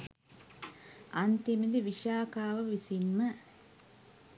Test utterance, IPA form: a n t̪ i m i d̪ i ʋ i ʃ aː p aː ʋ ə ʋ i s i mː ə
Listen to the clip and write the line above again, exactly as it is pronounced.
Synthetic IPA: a n t̪ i m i d̪ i ʋ i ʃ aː k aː ʋ ə ʋ i s i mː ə

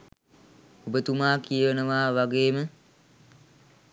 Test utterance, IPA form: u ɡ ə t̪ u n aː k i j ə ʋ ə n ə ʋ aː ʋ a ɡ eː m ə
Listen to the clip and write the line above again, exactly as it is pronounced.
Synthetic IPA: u b ə t̪ u m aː k i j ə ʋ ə n ə ʋ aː ʋ a ɡ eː m ə

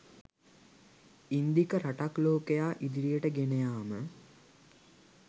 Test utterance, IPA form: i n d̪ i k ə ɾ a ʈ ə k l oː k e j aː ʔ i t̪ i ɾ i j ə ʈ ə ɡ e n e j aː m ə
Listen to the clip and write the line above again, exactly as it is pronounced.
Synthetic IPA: i n d̪ i k ə ɾ a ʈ a k l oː k e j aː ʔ i d̪ i ɾ i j ə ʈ ə ɡ e n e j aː m ə

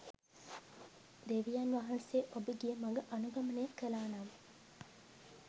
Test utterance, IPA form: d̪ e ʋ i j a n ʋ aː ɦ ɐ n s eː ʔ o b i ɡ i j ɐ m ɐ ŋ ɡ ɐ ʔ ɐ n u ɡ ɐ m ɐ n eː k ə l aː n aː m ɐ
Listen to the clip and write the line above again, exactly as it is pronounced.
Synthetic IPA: d̪ e ʋ i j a n ʋ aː ɦ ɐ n s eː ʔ o b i ɡ i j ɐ m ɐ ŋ ɡ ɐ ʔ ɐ n u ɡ ɐ m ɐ n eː k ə l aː n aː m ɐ

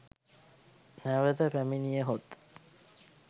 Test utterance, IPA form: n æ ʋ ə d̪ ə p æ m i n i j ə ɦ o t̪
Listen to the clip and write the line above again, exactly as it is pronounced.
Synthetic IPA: n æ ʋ ə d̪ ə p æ m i n i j ə ɦ o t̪

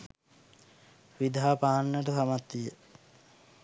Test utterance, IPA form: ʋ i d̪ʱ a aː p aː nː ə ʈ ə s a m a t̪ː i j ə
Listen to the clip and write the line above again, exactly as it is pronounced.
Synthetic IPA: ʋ i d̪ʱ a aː p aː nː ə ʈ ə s a m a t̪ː i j ə

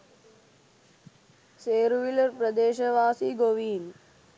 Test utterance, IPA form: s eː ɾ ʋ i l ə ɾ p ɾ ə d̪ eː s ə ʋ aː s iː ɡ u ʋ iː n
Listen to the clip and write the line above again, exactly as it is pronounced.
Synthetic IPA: s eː ɾ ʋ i l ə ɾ p ɾ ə d̪ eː ʃ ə ʋ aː s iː ɡ o ʋ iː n

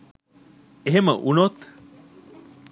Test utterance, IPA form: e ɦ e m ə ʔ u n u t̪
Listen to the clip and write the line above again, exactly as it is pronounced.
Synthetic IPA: e ɦ e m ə ʔ u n o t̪

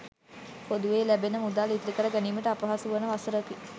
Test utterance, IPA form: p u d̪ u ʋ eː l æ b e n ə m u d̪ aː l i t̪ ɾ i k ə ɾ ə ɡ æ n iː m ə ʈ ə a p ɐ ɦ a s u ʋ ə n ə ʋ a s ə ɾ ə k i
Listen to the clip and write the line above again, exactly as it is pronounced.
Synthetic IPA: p o d̪ u ʋ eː l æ b e n ə m u d̪ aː l i t̪ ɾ i k ə ɾ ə ɡ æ n iː m ə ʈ ə a p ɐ ɦ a s u ʋ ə n ə ʋ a s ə ɾ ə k i

